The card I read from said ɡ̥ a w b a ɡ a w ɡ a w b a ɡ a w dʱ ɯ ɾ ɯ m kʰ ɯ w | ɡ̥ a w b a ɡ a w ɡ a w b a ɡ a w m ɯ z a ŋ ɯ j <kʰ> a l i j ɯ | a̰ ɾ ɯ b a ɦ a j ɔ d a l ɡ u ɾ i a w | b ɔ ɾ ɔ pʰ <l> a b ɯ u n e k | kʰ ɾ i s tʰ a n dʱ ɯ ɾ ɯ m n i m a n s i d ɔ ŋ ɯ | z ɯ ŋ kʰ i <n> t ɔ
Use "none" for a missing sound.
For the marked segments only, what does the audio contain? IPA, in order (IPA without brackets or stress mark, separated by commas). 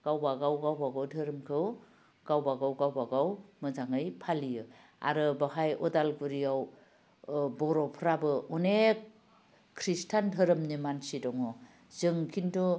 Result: pʰ, ɾ, n